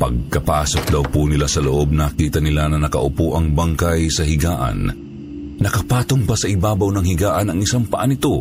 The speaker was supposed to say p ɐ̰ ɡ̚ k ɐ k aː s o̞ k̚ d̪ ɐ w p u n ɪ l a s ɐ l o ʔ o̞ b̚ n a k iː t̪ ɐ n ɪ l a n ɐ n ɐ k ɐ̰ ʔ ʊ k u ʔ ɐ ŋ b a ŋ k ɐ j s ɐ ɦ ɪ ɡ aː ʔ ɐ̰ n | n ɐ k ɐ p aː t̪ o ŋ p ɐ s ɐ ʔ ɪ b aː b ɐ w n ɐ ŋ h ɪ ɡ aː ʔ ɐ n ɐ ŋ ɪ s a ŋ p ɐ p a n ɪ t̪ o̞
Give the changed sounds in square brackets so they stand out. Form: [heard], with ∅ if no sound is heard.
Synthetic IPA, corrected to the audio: p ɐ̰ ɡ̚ k ɐ [p] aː s o̞ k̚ d̪ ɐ w p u n ɪ l a s ɐ l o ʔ o̞ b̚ n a k iː t̪ ɐ n ɪ l a n ɐ n ɐ k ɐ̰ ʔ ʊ [p] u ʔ ɐ ŋ b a ŋ k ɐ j s ɐ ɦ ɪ ɡ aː ʔ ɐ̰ n | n ɐ k ɐ p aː t̪ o ŋ p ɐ s ɐ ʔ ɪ b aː b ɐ w n ɐ ŋ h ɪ ɡ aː ʔ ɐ n ɐ ŋ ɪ s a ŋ p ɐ [ʔ] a n ɪ t̪ o̞